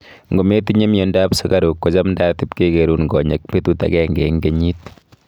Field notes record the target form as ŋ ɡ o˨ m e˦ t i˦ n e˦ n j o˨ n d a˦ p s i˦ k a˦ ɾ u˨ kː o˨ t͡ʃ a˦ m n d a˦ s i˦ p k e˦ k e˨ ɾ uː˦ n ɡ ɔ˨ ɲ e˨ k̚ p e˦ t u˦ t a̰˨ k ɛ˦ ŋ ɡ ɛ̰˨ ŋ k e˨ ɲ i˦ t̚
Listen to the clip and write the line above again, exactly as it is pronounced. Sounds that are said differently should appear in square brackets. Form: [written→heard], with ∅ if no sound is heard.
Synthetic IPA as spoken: ŋ ɡ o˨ m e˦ t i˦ [n→ɲ] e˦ [n→m] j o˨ n d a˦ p s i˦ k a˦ ɾ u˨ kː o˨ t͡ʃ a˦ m n d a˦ [s→t] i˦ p k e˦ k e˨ ɾ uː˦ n ɡ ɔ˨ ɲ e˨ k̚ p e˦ t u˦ t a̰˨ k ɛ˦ ŋ ɡ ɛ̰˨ ŋ [k→ɡ] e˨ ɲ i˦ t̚